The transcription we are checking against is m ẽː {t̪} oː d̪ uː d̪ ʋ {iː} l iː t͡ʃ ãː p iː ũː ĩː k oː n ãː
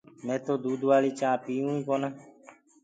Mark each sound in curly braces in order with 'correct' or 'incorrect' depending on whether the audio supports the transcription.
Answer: correct, incorrect

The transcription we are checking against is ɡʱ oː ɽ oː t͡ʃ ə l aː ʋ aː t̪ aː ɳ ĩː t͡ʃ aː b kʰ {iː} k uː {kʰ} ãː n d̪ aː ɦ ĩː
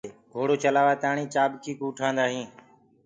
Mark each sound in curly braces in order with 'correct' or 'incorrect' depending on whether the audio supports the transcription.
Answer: correct, incorrect

